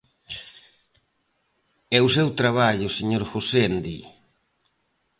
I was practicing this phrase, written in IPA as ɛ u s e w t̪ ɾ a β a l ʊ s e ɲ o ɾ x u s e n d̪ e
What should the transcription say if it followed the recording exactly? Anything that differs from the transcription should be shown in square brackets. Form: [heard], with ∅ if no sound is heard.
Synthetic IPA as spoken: ɛ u s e w t̪ ɾ a β a [ʎ] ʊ s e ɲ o ɾ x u s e n d̪ [i]